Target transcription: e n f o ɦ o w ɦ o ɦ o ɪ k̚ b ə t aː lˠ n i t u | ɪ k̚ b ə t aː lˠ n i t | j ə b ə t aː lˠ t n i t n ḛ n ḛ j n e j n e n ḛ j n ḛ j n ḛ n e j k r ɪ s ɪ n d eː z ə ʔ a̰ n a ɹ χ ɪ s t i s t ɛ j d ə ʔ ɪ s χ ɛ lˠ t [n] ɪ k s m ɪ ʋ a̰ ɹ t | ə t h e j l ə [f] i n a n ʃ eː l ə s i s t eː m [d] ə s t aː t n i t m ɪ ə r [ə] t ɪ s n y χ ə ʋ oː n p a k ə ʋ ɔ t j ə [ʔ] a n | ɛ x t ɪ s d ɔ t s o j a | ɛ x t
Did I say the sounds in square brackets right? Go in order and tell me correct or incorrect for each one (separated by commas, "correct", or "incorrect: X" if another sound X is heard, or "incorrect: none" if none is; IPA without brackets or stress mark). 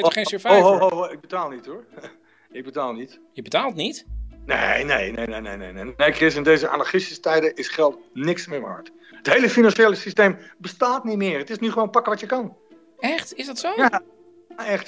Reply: correct, correct, incorrect: b, correct, incorrect: k